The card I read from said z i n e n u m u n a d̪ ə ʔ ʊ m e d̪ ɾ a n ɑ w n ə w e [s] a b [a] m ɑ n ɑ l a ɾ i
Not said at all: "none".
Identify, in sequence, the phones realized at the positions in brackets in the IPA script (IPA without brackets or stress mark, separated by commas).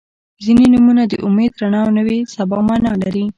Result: s, ɑ